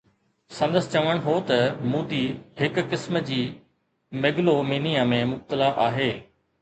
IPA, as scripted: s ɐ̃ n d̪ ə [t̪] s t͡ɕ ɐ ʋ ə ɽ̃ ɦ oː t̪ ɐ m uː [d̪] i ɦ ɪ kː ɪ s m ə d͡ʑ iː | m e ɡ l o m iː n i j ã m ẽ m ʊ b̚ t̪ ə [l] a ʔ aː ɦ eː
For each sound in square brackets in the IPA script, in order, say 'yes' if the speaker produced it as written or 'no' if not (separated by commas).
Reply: no, yes, yes